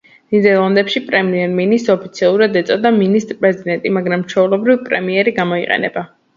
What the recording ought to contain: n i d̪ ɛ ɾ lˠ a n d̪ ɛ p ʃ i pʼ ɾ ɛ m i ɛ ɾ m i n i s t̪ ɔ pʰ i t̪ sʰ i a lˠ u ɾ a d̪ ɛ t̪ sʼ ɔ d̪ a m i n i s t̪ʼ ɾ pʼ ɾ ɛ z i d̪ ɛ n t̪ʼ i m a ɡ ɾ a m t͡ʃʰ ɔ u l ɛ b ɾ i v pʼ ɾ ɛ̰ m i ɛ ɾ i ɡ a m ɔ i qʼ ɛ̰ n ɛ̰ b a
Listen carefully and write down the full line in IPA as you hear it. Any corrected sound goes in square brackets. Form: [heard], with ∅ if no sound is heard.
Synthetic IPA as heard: n i d̪ ɛ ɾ lˠ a n d̪ ɛ p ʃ i pʼ ɾ ɛ m i ɛ ɾ m i n i s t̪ ɔ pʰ i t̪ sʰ i a lˠ u ɾ a d̪ ɛ t̪ sʼ ɔ d̪ a m i n i s t̪ʼ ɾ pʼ ɾ ɛ z i d̪ ɛ n t̪ʼ i m a ɡ ɾ a m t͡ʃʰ ɔ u l ɛ b ɾ i v pʼ ɾ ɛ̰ m i ɛ ɾ i ɡ a m ɔ i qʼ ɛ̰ n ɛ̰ b a